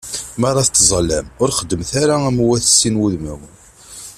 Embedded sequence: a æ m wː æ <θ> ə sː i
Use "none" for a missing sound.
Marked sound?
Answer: θ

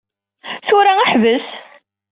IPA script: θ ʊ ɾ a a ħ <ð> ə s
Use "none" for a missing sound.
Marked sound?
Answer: v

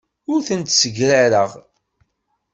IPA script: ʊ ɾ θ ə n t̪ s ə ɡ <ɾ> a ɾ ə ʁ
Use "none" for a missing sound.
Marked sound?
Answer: ɾ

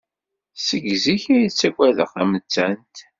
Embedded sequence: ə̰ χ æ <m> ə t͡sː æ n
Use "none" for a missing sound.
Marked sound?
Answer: m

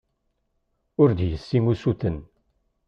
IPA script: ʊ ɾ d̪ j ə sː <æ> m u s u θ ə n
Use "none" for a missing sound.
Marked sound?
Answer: i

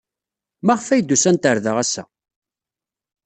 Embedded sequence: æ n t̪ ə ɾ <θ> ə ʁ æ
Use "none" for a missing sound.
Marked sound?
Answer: ð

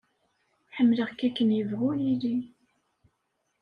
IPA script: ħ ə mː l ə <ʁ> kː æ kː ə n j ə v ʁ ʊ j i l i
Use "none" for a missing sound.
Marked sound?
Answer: ʁ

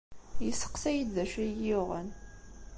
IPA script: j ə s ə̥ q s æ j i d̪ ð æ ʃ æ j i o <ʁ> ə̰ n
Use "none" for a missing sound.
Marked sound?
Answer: ʁ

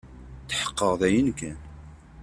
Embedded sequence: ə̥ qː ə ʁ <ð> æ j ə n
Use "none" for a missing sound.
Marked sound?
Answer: ð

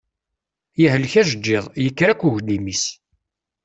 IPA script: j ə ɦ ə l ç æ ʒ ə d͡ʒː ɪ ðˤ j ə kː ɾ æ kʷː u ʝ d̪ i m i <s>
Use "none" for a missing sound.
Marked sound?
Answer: s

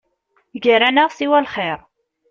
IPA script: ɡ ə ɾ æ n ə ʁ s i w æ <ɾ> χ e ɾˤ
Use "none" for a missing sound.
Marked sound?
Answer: l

